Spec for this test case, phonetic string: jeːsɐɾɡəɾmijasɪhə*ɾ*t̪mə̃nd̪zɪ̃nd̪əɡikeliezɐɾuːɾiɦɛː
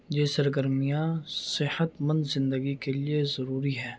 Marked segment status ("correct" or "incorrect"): incorrect